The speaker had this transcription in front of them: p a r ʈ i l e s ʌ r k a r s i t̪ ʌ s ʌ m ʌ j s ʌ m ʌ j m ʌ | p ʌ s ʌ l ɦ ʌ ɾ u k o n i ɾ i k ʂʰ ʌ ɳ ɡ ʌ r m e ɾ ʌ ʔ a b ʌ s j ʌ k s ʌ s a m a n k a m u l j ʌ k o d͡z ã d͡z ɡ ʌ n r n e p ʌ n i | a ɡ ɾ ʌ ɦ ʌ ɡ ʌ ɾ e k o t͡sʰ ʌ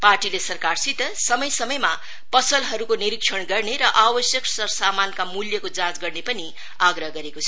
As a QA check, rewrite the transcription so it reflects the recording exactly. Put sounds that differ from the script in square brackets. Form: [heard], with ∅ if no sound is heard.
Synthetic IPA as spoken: p a r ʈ i l e s ʌ r k a r s i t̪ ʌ s ʌ m ʌ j s ʌ m ʌ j m [a] | p ʌ s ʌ l ɦ ʌ ɾ u k o n i ɾ i k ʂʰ ʌ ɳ ɡ ʌ r [n] e ɾ ʌ ʔ a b ʌ s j ʌ k s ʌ s a m a n k a m u l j ʌ k o d͡z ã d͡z ɡ ʌ [∅] r n e p ʌ n i | a ɡ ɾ ʌ ɦ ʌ ɡ ʌ ɾ e k o t͡sʰ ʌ

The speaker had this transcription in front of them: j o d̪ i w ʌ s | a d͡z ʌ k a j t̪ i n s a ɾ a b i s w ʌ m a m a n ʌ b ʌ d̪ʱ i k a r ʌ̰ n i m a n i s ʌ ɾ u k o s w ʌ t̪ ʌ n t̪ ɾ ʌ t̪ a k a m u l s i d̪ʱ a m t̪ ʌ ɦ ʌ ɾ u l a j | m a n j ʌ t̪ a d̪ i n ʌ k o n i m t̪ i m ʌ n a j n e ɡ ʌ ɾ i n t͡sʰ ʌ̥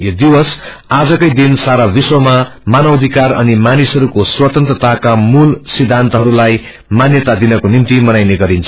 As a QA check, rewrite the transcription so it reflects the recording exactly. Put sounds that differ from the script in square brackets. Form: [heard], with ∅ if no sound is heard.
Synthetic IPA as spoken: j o d̪ i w ʌ s | a d͡z ʌ k [ʌ] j [d̪] i n s a ɾ a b i s w ʌ m a m a n ʌ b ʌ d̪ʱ i k a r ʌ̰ n i m a n i s ʌ ɾ u k o s w ʌ t̪ ʌ n t̪ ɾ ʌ t̪ a k a m u l s i d̪ʱ a [n] t̪ ʌ ɦ ʌ ɾ u l a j | m a n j ʌ t̪ a d̪ i n ʌ k o n i m t̪ i m ʌ n a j n e ɡ ʌ ɾ i n t͡sʰ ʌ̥

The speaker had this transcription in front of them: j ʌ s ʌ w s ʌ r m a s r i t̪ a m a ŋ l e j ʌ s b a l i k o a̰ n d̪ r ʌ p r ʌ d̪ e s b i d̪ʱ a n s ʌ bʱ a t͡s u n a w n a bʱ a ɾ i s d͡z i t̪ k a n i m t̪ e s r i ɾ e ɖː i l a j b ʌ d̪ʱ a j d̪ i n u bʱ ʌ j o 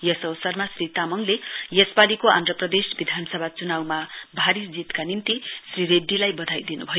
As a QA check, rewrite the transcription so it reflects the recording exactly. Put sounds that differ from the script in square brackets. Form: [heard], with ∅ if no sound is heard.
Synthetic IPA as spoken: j ʌ s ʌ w s ʌ r m a s r i t̪ a m [ʌ] ŋ l e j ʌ s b a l i k o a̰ n d̪ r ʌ p r ʌ d̪ e s b i d̪ʱ a n s ʌ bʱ a t͡s u n a w [m] a bʱ a ɾ i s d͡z i t̪ k a n i [n] t̪ [i] s r i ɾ e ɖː i l a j b ʌ d̪ʱ a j d̪ i n u bʱ ʌ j o

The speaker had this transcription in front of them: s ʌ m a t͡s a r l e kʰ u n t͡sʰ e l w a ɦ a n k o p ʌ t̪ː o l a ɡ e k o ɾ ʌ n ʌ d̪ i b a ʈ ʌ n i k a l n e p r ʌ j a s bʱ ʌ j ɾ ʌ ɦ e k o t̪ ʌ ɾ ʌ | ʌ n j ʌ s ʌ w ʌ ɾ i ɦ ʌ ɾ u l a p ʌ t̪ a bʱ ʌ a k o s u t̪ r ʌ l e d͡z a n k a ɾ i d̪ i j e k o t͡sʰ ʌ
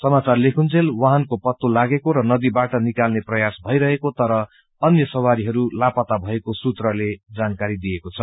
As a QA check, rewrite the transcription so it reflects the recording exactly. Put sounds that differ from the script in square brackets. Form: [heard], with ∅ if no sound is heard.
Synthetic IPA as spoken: s ʌ m a t͡s a r l e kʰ u n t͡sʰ e l w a ɦ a n k o p ʌ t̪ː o l a ɡ e k o ɾ ʌ n ʌ d̪ i b a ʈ ʌ n i k a l n e p r ʌ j a s bʱ ʌ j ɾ ʌ ɦ e k o t̪ ʌ ɾ ʌ | ʌ n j ʌ s ʌ w [a] ɾ i ɦ ʌ ɾ u l a p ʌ t̪ a bʱ ʌ [e] k o s u t̪ r ʌ l e d͡z a n k a ɾ i d̪ i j e k o t͡sʰ ʌ

